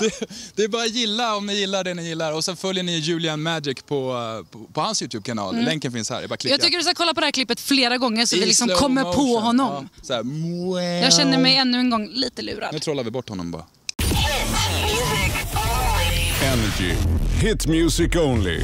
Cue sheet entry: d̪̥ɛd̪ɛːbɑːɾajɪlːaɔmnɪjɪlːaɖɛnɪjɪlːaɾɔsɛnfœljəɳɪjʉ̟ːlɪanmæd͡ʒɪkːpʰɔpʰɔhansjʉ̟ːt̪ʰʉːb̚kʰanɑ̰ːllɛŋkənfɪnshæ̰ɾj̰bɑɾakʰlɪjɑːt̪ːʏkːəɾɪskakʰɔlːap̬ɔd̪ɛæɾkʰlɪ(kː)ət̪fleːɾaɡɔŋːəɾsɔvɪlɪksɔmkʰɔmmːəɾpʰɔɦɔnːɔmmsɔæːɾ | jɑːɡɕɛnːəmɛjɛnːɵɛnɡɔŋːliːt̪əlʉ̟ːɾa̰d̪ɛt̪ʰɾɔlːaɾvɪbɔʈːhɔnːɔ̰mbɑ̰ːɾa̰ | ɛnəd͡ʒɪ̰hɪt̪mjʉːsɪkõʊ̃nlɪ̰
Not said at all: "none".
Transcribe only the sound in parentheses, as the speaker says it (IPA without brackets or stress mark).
pː